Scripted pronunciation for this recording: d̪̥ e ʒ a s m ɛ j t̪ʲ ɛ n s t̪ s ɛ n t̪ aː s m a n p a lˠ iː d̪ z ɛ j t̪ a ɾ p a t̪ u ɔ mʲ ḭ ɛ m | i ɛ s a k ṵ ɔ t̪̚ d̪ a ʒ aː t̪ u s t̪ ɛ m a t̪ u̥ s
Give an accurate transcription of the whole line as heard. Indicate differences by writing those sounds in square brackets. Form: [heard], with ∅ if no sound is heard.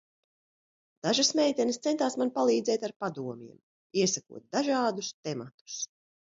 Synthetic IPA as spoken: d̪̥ [a] ʒ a s m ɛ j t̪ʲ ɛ n s t̪ s ɛ n t̪ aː s m a n p a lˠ iː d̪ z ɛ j t̪ a ɾ p a [d̪] u ɔ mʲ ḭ ɛ m | i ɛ s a k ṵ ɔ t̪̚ d̪ a ʒ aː [d̪] u s t̪ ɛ m a t̪ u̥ s